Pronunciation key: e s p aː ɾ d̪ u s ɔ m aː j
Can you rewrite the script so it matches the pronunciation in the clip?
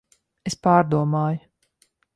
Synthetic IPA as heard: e s p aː ɾ d̪ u ɔ m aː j